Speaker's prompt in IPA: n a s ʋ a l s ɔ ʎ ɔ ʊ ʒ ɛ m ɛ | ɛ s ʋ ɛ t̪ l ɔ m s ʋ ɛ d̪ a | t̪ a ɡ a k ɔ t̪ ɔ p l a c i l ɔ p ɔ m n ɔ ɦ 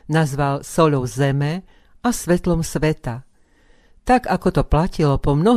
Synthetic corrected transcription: n a z ʋ a l s ɔ ʎ ɔ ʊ z ɛ m ɛ | a s ʋ ɛ t̪ l ɔ m s ʋ ɛ t̪ a | t̪ a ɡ a k ɔ t̪ ɔ p l a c i l ɔ p ɔ m n ɔ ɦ